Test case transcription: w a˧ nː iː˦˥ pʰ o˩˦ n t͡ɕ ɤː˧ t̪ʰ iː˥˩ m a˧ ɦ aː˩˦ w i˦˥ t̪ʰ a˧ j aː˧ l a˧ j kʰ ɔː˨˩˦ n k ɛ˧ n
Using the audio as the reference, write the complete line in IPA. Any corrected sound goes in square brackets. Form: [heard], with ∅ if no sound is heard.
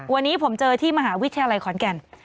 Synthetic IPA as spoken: w a˧ nː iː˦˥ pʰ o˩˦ [m] t͡ɕ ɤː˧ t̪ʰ iː˥˩ m a˧ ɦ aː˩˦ w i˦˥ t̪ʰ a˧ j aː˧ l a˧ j kʰ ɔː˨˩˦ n k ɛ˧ n